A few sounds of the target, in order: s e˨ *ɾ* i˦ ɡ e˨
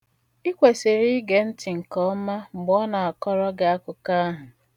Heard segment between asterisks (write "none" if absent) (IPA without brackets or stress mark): ɾ